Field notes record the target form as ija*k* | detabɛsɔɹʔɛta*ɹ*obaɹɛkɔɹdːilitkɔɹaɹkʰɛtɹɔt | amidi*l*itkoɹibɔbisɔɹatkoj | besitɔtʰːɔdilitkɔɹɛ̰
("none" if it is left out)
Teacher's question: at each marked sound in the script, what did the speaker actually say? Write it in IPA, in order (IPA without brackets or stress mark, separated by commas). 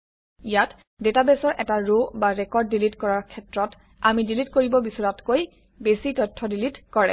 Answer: t, ɹ, l